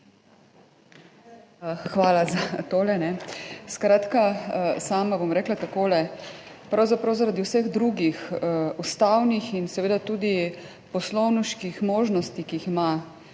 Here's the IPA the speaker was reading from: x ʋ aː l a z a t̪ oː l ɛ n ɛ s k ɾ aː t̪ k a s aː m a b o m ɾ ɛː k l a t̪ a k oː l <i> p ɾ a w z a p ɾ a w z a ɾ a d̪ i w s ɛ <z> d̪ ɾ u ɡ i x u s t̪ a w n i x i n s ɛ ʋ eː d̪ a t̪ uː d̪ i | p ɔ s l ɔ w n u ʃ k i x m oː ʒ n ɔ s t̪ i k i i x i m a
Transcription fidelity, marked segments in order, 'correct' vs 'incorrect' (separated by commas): incorrect, incorrect